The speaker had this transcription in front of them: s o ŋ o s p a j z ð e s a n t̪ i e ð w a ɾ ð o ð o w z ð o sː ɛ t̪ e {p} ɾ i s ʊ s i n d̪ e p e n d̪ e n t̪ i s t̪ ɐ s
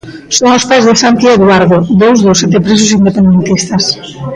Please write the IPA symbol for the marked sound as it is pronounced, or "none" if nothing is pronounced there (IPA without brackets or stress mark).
p